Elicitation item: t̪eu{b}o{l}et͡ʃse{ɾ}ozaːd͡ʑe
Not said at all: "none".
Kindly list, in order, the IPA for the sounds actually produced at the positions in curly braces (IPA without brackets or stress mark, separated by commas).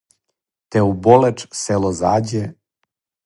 b, l, l